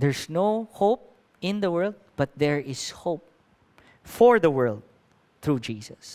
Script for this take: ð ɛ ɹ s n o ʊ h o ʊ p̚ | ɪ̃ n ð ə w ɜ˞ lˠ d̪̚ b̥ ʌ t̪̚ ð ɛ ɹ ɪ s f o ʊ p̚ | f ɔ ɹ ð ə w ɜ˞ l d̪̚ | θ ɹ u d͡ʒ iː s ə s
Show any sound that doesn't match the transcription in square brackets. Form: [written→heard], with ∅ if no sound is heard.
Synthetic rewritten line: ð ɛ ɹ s n o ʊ h o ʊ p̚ | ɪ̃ n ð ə w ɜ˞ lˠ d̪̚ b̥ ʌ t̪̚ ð ɛ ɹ ɪ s [f→h] o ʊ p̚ | f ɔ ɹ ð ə w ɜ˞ l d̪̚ | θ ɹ u d͡ʒ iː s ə s